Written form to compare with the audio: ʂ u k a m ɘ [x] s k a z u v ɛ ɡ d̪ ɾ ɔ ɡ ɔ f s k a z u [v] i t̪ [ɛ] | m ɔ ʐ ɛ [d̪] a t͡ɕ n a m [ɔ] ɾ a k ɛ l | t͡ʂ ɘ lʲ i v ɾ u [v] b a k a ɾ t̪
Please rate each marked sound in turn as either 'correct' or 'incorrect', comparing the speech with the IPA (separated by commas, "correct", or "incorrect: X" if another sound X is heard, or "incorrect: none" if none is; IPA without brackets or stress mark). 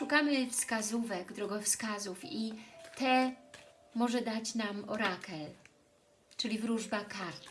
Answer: incorrect: f, incorrect: f, correct, correct, correct, incorrect: ʐ